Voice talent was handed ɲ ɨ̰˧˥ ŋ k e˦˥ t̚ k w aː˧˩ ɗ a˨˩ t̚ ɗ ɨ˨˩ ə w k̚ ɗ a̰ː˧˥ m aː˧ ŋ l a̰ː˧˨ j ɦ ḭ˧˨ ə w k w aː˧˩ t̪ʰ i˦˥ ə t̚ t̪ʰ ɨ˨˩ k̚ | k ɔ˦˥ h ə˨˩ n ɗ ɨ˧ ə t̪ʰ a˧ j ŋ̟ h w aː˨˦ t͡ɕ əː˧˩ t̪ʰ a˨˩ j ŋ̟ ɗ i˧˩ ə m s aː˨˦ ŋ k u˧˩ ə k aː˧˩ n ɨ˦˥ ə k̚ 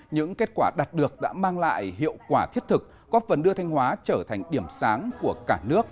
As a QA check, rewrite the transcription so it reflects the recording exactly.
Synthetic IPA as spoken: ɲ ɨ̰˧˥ ŋ k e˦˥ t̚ k w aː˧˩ ɗ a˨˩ t̚ ɗ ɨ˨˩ ə k̚ ɗ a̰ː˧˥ m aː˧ ŋ l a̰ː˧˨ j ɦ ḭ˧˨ ə w k w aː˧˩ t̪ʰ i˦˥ ə t̚ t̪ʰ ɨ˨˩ k̚ | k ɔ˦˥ f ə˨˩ n ɗ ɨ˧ ə t̪ʰ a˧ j ŋ̟ h w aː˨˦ t͡ɕ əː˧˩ t̪ʰ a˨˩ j ŋ̟ ɗ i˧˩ ə m s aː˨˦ ŋ k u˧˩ ə k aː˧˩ n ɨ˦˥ ə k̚